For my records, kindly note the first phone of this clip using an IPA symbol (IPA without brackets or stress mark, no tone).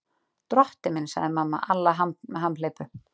t̪